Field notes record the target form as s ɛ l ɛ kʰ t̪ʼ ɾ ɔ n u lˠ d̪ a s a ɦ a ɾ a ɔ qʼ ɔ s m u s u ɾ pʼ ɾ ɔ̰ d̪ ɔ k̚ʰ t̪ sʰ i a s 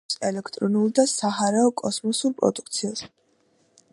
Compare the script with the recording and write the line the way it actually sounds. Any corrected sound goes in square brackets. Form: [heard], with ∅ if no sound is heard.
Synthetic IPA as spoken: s ɛ l ɛ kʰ t̪ʼ ɾ ɔ n u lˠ d̪ a s a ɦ a ɾ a ɔ [kʼ] ɔ s m [ɔ] s u ɾ pʼ ɾ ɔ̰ d̪ [u] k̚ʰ t̪ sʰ i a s